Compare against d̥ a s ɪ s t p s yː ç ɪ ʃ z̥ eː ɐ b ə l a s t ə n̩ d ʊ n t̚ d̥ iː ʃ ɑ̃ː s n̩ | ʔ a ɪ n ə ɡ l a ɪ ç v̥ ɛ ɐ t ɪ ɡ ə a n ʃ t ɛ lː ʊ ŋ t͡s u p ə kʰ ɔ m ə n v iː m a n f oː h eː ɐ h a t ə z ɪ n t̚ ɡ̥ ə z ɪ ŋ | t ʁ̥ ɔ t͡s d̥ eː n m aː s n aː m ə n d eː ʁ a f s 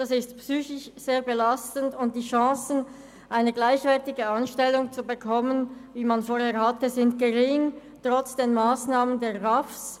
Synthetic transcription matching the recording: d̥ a s ɪ s t p s yː ç ɪ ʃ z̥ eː ɐ b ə l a s t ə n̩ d ʊ n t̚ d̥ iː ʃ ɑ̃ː s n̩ | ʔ a ɪ n ə ɡ l a ɪ ç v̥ ɛ ɐ t ɪ ɡ ə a n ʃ t ɛ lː ʊ ŋ t͡s u b ə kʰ ɔ m ə n v iː m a n f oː h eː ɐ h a t ə z ɪ n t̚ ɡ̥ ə ʁ ɪ ŋ | t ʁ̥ ɔ t͡s d̥ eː n m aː s n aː m ə n d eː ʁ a f s